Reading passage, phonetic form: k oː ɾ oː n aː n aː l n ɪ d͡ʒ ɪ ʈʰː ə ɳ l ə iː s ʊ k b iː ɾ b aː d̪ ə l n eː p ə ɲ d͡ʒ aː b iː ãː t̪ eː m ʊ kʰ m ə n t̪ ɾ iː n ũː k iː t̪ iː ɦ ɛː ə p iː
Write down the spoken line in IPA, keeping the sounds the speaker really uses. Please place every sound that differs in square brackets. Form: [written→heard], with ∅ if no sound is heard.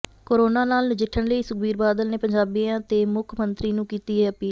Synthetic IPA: k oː ɾ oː n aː n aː l n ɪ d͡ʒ ɪ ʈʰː ə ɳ l ə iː s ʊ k b iː ɾ b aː d̪ ə l n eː p ə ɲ d͡ʒ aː b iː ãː t̪ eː m ʊ kʰ m ə n t̪ ɾ iː n ũː k iː t̪ iː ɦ ɛː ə p iː